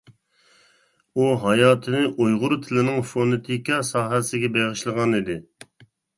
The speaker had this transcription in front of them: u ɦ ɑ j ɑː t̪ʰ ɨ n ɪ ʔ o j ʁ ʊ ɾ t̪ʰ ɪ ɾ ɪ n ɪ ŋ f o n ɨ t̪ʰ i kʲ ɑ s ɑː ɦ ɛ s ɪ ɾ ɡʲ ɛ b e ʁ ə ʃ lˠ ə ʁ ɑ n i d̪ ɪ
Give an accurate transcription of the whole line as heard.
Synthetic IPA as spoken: u ɦ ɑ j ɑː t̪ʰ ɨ n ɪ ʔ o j ʁ ʊ ɾ t̪ʰ ɪ l ɪ n ɪ ŋ f o n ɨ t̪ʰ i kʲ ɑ s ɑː ɦ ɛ s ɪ ɡʲ ɛ b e ʁ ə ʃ lˠ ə ʁ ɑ n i d̪ ɪ